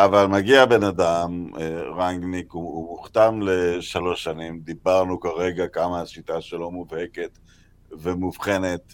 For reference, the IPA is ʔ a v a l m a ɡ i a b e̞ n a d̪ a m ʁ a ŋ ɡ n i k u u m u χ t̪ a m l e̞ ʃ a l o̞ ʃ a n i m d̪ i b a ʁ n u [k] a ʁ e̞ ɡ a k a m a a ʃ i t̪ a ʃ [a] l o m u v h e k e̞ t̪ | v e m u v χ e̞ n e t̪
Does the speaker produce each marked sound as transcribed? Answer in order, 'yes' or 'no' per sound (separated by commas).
yes, no